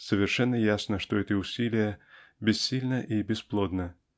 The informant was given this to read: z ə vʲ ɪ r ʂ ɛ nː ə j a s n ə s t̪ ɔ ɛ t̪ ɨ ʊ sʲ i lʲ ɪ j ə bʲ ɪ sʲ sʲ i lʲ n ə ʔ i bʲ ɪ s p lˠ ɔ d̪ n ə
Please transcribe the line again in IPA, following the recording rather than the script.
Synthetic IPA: s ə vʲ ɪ r ʂ ɛ nː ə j a s n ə ʂ t̪ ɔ ɛ t̪ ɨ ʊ sʲ i lʲ ɪ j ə bʲ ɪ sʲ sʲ i lʲ n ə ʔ i bʲ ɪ s p lˠ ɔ d̪ n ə